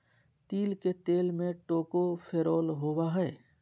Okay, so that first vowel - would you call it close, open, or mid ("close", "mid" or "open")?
close